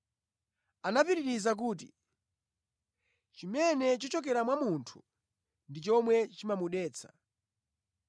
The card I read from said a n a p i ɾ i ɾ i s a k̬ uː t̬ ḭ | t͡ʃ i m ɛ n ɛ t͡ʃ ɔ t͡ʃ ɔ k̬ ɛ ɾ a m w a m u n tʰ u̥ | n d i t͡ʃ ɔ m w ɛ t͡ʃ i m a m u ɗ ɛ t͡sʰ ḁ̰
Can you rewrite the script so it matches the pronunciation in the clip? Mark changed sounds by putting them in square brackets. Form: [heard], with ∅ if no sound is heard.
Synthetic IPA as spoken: a n a p i ɾ i ɾ i [z] a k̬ uː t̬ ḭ | t͡ʃ i m ɛ n ɛ t͡ʃ ɔ t͡ʃ ɔ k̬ ɛ ɾ a m w a m u n tʰ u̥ | n d i t͡ʃ ɔ m w ɛ t͡ʃ i m a m u ɗ [ɛː] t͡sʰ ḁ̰